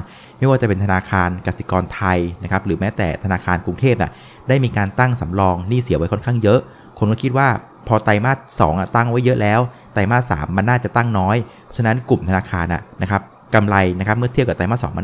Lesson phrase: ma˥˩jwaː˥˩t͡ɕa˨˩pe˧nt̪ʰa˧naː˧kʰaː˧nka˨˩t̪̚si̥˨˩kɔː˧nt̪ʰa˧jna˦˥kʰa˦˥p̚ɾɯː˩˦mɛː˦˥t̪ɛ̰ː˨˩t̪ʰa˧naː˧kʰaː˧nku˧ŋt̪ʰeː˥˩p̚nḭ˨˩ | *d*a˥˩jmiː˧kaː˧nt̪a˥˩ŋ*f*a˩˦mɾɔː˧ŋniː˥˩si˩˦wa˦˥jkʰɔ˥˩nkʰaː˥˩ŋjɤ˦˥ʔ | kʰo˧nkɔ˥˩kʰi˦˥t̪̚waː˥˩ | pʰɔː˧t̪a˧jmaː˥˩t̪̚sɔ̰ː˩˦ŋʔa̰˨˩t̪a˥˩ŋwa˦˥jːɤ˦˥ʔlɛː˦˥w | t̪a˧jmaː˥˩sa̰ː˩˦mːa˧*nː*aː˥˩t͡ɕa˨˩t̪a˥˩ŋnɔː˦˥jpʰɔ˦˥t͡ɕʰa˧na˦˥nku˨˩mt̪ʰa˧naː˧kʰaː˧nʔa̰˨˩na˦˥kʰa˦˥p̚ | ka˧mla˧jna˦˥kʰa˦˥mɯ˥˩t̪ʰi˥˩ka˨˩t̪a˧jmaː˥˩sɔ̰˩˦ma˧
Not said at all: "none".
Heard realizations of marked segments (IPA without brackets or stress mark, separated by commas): d, s, nː